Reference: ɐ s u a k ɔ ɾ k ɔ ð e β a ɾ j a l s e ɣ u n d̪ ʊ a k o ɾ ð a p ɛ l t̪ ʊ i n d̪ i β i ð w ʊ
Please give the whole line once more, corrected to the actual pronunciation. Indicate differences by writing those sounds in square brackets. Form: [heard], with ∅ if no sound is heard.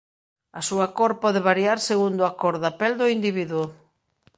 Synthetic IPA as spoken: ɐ s u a k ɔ ɾ [p] ɔ ð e β a ɾ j a [ɾ] s e ɣ u n d̪ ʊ a k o ɾ ð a p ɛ l [d̪] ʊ i n d̪ i β i ð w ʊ